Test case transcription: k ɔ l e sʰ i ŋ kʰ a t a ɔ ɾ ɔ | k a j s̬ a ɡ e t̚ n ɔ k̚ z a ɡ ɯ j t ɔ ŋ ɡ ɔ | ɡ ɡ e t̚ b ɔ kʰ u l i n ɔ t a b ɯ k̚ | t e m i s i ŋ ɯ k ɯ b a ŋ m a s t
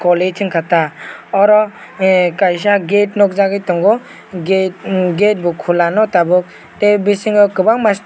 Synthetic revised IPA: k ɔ l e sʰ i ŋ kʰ a t a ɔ ɾ ɔ | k a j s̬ a ɡ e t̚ n ɔ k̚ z a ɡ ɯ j t ɔ ŋ ɡ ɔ | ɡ ɡ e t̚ b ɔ kʰ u l a n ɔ t a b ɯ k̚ | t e b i s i ŋ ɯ k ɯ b a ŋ m a s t